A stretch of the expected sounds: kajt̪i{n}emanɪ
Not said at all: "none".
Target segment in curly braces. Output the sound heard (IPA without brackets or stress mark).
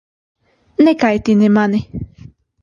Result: n